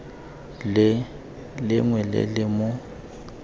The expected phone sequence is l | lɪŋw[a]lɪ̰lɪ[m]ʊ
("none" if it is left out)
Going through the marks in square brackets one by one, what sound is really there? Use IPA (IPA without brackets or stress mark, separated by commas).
ɛ, m